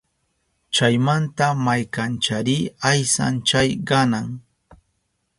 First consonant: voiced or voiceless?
voiceless